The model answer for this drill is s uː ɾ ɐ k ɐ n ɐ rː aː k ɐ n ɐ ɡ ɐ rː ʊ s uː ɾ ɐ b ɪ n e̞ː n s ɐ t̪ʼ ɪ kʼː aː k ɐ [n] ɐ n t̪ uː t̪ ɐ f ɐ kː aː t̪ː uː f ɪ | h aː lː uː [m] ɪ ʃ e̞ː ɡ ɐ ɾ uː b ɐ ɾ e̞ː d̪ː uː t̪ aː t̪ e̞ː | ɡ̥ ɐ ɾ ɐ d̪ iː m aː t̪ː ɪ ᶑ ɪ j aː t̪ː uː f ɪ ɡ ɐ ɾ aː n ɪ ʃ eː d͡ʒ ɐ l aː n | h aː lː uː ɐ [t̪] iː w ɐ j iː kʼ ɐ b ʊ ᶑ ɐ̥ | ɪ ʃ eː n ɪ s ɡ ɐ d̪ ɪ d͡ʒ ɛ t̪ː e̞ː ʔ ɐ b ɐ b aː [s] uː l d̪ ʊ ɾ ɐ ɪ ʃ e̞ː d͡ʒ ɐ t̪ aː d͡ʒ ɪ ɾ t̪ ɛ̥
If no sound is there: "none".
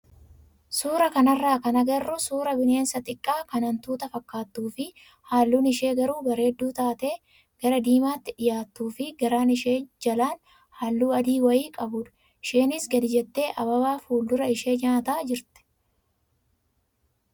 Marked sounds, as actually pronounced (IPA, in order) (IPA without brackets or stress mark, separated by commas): n, n, d̪, f